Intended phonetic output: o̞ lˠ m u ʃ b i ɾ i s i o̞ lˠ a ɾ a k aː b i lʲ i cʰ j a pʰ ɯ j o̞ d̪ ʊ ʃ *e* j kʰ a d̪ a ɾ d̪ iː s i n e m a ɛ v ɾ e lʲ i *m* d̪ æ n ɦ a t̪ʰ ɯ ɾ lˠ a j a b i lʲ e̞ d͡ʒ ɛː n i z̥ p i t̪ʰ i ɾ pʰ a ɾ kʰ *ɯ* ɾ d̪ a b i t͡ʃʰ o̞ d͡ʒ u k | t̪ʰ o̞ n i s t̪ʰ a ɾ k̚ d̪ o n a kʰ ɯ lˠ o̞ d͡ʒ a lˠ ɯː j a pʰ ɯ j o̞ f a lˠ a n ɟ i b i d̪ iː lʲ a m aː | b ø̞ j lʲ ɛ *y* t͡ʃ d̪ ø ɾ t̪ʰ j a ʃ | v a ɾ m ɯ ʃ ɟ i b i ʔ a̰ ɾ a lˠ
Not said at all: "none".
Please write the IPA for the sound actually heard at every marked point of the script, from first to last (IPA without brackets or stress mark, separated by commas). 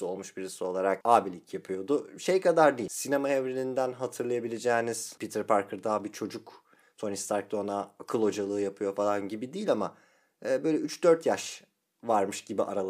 e, n, ɯ, y